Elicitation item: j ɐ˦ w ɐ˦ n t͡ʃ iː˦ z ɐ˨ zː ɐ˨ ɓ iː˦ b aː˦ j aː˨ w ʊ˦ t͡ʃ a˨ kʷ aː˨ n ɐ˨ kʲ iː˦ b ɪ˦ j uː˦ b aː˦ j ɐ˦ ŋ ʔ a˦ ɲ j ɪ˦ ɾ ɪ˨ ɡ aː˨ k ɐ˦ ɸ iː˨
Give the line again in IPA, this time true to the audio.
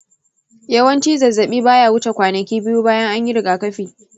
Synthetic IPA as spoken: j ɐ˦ w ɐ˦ n t͡ʃ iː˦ z ɐ˨ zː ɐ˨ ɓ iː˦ b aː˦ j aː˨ w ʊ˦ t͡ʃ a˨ kʷ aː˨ n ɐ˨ kʲ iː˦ b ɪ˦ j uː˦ b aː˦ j ɐ˦ ŋ ʔ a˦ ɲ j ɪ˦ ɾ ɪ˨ ɡ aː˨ k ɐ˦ ɸ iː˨